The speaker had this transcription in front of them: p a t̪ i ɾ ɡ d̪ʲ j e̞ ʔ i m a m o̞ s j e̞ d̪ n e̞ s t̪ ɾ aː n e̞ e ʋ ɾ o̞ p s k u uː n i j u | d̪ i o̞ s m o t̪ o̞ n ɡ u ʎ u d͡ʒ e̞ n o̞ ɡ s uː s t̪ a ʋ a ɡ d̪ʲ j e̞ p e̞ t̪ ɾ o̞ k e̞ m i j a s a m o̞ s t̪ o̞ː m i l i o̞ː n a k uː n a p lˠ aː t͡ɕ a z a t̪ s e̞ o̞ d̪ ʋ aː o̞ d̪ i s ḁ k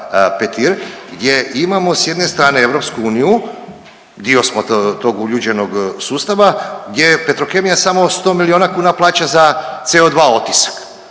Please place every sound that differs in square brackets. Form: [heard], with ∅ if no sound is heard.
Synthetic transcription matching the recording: p [e] t̪ i ɾ ɡ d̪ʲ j e̞ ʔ i m a m o̞ s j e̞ d̪ n e̞ s t̪ ɾ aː n e̞ e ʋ ɾ o̞ p s k u uː n i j u | d̪ i o̞ s m o t̪ o̞ [∅] ɡ u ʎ u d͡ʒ e̞ n o̞ ɡ s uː s t̪ a ʋ a ɡ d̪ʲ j e̞ p e̞ t̪ ɾ o̞ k e̞ m i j a s a m o̞ s t̪ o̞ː m i l i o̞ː n a k uː n a p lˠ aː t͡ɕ a z a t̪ s e̞ o̞ d̪ ʋ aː o̞ [t̪] i s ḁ k